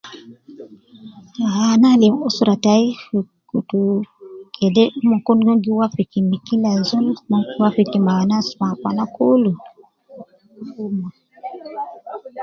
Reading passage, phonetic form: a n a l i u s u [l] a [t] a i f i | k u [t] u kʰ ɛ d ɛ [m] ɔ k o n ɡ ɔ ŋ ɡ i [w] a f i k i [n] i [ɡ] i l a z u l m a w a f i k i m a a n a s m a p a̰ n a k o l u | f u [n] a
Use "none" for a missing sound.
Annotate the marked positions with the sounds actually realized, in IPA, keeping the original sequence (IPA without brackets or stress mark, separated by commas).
ɾ, t, t, m, w, m, k, m